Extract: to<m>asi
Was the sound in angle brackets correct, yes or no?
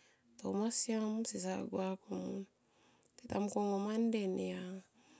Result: yes